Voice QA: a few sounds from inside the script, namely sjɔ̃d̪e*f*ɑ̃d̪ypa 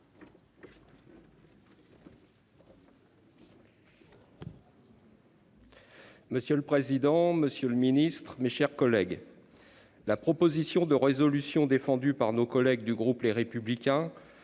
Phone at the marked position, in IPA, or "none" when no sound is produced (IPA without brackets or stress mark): f